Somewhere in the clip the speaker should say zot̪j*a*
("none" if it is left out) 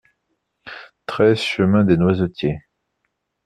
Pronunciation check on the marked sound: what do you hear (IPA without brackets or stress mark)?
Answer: e